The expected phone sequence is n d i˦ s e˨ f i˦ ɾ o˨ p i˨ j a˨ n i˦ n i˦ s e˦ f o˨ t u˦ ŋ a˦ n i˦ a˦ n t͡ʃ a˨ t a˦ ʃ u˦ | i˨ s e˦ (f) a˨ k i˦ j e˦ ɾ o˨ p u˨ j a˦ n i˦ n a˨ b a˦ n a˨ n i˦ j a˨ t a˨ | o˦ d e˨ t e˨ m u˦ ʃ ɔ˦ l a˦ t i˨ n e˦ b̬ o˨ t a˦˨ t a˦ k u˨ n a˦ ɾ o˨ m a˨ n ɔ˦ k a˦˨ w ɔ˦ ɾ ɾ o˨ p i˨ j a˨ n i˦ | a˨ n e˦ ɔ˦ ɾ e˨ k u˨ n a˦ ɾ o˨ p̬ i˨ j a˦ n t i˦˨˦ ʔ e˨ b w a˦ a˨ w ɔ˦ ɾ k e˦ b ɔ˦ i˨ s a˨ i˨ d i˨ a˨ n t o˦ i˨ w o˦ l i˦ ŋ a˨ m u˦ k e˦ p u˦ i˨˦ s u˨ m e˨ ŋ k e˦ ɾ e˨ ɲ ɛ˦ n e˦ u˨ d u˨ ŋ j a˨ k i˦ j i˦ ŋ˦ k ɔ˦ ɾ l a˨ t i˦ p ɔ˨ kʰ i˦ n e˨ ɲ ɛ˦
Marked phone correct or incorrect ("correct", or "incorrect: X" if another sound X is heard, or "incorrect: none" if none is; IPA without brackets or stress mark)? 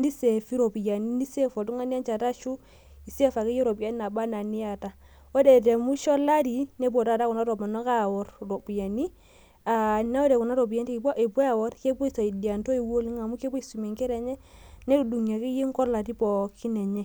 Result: correct